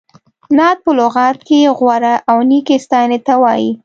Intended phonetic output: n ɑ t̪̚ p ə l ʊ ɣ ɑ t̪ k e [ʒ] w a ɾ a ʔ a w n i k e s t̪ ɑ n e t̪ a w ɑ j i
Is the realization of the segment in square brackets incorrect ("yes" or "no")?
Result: yes